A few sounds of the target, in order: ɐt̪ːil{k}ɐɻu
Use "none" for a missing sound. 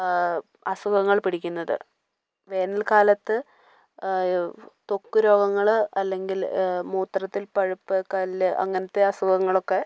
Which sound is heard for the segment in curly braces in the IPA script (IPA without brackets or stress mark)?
p